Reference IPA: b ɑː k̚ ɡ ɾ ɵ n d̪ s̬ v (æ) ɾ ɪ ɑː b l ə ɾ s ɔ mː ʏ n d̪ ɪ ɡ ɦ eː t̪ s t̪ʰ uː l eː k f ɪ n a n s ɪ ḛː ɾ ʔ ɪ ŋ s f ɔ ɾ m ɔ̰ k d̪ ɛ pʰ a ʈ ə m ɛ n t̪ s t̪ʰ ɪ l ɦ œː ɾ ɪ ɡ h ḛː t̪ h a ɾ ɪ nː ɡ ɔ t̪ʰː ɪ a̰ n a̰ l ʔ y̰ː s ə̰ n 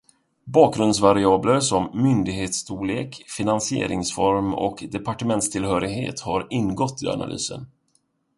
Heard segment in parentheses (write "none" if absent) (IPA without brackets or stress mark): a